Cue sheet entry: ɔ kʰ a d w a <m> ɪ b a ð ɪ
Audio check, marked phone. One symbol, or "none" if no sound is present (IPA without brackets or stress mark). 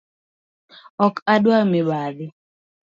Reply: m